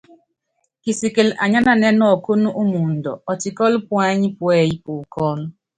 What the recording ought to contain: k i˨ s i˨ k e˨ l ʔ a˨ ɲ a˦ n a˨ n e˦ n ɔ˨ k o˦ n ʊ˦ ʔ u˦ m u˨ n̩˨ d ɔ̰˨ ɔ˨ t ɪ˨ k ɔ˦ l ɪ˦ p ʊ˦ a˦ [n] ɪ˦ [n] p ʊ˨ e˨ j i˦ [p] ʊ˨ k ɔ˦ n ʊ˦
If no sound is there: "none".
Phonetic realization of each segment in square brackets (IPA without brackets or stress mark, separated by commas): ɲ, none, p